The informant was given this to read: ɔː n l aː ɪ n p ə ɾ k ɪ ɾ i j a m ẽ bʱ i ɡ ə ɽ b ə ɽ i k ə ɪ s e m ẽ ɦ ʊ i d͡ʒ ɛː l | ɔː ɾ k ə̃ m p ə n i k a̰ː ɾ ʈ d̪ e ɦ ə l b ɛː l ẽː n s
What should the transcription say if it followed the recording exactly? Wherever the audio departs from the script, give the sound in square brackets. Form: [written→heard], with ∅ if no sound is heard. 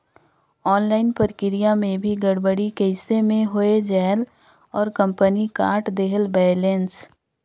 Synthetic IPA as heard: ɔː n l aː ɪ n p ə ɾ k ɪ ɾ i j a m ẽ bʱ i ɡ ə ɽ b ə ɽ i k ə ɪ s e m ẽ ɦ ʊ [i→e] d͡ʒ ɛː l | ɔː ɾ k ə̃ m p ə n i k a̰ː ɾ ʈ d̪ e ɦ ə l b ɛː l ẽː n s